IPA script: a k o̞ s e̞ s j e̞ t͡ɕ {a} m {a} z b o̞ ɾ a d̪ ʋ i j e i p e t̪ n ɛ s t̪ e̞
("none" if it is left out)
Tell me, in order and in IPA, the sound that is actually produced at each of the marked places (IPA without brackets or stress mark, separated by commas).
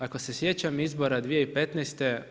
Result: a, i